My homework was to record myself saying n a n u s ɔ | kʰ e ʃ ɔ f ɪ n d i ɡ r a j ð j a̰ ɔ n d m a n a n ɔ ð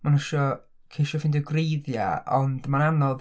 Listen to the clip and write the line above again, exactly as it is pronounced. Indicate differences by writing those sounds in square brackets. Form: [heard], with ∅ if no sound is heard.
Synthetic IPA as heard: [m] a n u [ʃ] ɔ | kʰ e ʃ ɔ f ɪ n d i ɡ r [e] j ð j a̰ ɔ n d m a n a n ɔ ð